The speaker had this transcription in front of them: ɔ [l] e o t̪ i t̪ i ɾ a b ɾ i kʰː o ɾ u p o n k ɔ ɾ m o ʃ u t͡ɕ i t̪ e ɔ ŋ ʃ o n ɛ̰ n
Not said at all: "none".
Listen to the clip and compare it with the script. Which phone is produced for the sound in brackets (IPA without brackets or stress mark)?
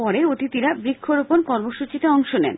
ɾ